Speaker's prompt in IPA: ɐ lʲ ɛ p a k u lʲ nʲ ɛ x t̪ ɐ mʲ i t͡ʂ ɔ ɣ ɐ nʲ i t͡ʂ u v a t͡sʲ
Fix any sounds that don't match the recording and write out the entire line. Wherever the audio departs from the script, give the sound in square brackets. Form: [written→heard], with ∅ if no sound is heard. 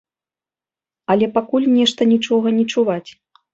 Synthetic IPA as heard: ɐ lʲ ɛ p a k u lʲ nʲ ɛ [x→ʂ] t̪ ɐ [mʲ→nʲ] i t͡ʂ ɔ ɣ ɐ nʲ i t͡ʂ u v a t͡sʲ